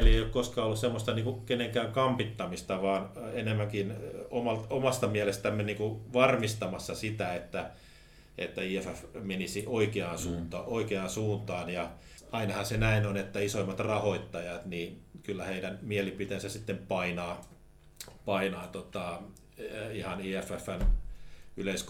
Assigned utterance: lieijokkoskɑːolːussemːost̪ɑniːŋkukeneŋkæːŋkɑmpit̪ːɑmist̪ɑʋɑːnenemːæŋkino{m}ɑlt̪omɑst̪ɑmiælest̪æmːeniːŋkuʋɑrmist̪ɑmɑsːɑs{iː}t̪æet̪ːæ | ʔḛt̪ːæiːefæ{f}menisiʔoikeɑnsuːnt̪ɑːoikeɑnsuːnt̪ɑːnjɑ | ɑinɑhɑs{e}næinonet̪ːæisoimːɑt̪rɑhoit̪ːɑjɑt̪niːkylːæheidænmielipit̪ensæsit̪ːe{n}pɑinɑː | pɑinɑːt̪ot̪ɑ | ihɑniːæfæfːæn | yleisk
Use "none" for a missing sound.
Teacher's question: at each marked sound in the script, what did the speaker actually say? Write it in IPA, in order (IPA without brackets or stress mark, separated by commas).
m, i, f, e, m